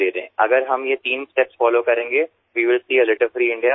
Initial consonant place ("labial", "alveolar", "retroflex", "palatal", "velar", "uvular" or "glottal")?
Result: alveolar